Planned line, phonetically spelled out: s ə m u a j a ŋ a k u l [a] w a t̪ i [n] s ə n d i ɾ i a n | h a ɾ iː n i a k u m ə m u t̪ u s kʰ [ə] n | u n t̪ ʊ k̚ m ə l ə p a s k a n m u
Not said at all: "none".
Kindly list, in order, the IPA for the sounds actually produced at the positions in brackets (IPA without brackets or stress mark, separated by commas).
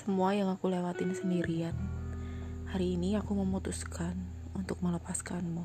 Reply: e, n, a